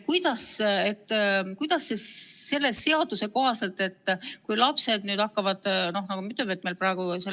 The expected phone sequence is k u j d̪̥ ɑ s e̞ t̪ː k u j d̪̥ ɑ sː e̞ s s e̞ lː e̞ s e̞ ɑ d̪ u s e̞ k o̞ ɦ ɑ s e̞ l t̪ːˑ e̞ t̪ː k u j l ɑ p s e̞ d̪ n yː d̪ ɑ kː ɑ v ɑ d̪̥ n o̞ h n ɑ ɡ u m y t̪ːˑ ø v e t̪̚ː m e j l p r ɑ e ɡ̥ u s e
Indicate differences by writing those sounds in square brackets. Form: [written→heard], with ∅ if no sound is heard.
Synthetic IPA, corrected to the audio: k u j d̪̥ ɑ s e̞ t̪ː k u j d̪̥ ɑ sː e̞ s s e̞ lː e̞ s e̞ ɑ d̪ u s e̞ k o̞ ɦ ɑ s e̞ l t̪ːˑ e̞ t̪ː k u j l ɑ p s e̞ d̪ n yː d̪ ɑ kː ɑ v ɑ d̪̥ n o̞ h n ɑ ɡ u m y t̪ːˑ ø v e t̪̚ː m e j l p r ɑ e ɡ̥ u s e